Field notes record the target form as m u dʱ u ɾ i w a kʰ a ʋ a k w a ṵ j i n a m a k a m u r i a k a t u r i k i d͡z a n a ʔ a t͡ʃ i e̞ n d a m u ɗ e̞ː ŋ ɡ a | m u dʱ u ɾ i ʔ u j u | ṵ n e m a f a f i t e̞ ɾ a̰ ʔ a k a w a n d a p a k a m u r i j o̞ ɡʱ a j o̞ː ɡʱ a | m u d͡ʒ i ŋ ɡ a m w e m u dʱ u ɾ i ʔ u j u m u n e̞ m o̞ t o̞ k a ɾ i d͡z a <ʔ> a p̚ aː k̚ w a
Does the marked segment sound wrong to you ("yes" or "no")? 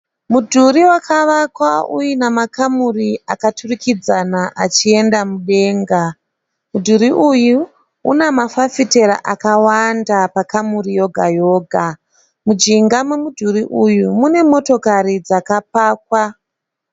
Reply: yes